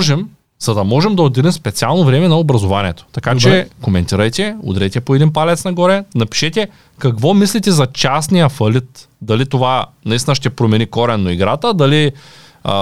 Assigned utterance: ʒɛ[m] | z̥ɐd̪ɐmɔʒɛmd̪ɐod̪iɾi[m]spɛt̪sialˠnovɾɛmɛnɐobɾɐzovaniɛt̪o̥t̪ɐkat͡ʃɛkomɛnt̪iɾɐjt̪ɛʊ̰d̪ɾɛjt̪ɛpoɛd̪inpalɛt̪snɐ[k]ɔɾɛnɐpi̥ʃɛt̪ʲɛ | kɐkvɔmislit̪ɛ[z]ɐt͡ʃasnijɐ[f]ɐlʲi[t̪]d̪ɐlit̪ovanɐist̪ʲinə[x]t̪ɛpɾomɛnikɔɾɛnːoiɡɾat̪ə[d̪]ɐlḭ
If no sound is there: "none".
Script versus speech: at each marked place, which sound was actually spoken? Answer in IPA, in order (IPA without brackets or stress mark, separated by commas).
m, m, ɡ, z, f, t̪, ʃ, d̪